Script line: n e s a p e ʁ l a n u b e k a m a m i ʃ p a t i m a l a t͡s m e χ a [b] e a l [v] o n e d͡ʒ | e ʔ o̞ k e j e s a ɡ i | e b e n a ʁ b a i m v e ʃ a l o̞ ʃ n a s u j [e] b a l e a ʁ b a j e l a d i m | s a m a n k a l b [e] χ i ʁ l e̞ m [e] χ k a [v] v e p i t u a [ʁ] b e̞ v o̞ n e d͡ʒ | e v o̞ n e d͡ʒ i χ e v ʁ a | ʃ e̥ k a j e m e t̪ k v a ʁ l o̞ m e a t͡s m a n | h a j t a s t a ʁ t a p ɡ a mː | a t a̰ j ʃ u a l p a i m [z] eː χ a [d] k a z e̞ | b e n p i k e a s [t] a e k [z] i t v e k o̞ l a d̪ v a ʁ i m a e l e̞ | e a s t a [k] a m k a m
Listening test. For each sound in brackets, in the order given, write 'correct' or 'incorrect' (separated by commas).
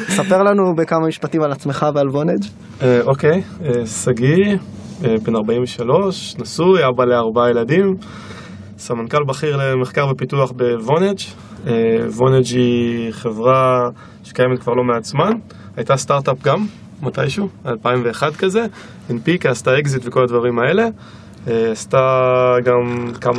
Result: incorrect, correct, incorrect, incorrect, correct, incorrect, incorrect, incorrect, correct, correct, correct, incorrect